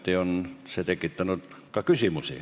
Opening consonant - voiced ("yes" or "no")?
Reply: no